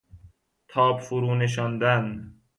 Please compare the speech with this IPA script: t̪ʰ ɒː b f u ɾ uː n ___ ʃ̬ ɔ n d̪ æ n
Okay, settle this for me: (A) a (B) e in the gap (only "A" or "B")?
B